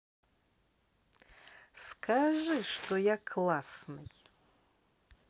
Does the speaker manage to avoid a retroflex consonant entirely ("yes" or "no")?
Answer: no